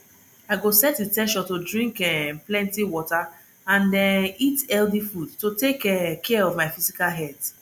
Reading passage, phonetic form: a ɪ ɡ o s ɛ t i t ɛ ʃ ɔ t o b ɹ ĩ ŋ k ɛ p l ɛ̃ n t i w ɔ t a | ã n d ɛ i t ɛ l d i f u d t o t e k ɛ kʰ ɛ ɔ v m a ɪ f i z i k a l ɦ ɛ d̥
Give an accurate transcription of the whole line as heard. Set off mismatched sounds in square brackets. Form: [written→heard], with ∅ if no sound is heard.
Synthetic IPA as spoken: a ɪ ɡ o s ɛ t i t ɛ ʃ ɔ t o [b→d] ɹ ĩ ŋ k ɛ p l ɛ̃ n t i w ɔ t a | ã n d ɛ i t ɛ l d i f u d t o t e k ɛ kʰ ɛ ɔ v m a ɪ f i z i k a l ɦ ɛ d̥